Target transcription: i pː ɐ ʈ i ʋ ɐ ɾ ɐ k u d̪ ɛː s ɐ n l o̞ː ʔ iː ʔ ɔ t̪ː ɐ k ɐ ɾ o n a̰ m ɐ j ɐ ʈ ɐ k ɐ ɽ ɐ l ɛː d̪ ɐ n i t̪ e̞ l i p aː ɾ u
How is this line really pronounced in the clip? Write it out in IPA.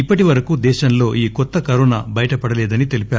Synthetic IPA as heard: i pː ɐ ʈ i ʋ ɐ ɾ ɐ k u d̪ ɛː ʃ ɐ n l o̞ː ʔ iː k ɔ t̪ː ɐ k ɐ ɾ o n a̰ b ɐ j ɐ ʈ ɐ p ɐ ɽ ɐ l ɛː d̪ ɐ n i t̪ e̞ l i p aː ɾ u